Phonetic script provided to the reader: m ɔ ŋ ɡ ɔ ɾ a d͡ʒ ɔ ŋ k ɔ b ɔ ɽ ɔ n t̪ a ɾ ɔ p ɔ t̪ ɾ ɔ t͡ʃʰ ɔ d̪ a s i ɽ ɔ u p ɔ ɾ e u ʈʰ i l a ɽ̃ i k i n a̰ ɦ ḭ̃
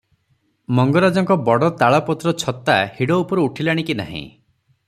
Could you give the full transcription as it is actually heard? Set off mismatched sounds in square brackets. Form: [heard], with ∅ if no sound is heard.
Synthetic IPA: m ɔ ŋ ɡ ɔ ɾ a d͡ʒ ɔ ŋ k ɔ b ɔ ɽ ɔ [∅] t̪ a [ɭ] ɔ p ɔ t̪ ɾ ɔ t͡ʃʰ ɔ [t̪] a [h] i ɽ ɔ u p ɔ ɾ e u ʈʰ i l a ɽ̃ i k i n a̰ ɦ ḭ̃